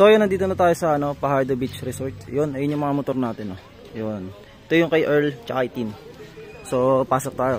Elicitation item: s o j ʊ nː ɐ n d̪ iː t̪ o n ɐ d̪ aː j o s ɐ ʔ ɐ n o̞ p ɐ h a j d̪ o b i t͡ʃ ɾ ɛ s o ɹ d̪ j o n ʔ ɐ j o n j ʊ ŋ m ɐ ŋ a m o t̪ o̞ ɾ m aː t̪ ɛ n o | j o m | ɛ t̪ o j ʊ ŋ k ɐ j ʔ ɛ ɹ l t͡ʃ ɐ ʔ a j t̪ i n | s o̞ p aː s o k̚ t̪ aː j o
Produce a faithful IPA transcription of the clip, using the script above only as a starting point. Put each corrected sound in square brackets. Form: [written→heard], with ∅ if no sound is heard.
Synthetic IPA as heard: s o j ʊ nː ɐ n d̪ iː t̪ o n ɐ [d̪→t̪] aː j o s ɐ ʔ ɐ n o̞ p ɐ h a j d̪ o b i t͡ʃ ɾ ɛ s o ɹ [d̪→t̪] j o n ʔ ɐ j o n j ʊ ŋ m ɐ ŋ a m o t̪ o̞ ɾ [m→n] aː t̪ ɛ n o | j o [m→n] | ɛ t̪ o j ʊ ŋ k ɐ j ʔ ɛ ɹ l t͡ʃ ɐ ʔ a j t̪ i n | s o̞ p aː s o k̚ t̪ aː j o